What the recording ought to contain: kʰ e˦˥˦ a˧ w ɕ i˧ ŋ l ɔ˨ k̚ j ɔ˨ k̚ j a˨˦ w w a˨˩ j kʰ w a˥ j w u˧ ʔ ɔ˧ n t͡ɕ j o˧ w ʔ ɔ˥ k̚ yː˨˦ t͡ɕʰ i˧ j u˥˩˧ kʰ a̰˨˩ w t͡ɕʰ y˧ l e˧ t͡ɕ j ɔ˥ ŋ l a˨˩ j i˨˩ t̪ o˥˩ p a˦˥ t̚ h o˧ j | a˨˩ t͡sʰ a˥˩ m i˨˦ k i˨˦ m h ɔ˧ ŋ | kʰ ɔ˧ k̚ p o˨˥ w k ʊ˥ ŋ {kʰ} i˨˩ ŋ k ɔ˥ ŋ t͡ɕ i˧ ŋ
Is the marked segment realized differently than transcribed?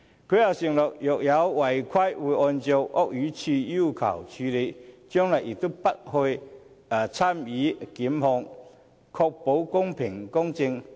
yes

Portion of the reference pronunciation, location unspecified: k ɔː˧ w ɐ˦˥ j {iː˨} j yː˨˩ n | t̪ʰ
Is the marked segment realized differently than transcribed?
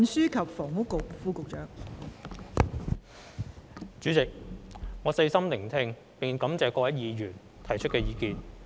no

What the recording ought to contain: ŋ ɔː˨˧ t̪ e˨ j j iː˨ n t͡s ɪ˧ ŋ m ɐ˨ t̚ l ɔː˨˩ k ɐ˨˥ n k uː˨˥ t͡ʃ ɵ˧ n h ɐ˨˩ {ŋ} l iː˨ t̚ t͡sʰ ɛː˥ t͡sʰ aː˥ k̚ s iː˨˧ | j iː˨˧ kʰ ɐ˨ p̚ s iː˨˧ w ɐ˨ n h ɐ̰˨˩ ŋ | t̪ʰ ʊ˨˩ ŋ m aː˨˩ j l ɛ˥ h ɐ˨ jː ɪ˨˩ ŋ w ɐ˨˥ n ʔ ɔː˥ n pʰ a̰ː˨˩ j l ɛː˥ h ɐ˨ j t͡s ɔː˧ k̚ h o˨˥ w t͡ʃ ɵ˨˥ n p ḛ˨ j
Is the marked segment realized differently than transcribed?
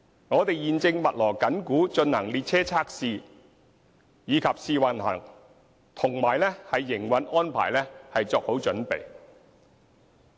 no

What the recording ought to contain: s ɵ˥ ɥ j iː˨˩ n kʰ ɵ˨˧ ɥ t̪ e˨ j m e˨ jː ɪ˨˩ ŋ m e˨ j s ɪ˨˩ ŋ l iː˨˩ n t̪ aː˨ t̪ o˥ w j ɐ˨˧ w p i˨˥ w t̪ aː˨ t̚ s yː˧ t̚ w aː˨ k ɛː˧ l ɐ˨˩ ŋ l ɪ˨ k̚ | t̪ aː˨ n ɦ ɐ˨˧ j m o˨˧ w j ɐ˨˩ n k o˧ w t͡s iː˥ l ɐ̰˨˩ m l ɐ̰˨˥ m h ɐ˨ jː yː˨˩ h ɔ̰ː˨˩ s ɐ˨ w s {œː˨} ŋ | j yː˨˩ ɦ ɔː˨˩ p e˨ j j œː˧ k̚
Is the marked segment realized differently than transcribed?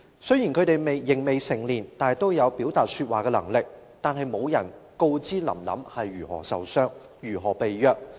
yes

